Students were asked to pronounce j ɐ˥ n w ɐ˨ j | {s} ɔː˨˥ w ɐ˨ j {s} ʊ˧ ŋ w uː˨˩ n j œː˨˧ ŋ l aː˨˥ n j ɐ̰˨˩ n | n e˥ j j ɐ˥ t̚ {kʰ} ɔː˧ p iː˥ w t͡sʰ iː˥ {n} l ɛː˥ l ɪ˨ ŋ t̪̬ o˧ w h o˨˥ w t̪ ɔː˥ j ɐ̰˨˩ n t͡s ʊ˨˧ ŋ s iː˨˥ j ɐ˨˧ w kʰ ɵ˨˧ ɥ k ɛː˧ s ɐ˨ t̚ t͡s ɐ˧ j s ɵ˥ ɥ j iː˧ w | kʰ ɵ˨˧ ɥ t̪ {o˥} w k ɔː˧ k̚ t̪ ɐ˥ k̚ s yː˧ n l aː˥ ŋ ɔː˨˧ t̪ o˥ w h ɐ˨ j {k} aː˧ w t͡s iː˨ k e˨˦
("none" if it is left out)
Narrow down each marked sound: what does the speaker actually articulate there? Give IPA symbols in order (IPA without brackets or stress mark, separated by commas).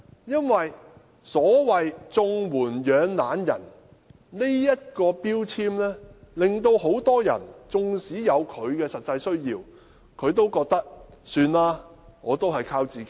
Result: s, t͡s, k, m, o˥, kʰ